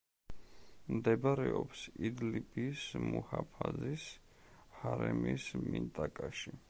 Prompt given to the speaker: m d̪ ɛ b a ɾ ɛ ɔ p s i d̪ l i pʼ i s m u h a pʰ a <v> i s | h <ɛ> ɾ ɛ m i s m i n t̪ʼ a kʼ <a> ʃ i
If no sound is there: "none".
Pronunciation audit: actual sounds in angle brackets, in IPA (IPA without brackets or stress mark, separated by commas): z, a, a